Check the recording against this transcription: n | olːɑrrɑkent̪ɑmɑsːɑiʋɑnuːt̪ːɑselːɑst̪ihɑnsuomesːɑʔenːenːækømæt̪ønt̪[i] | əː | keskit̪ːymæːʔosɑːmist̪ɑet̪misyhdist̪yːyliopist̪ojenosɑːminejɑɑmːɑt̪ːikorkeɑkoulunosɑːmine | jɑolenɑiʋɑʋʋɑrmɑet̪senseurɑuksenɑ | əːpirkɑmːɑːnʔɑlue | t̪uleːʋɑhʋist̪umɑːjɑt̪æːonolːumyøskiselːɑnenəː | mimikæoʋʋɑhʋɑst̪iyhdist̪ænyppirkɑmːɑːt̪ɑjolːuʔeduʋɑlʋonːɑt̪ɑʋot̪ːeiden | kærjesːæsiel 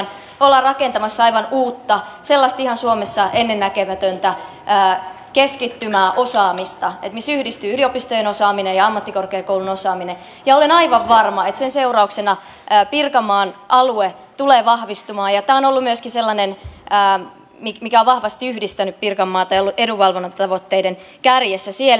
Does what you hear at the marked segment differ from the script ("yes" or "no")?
yes